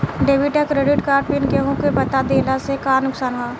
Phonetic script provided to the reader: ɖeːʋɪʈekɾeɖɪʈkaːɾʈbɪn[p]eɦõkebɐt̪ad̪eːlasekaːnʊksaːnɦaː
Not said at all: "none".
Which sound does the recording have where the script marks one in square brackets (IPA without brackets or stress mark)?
k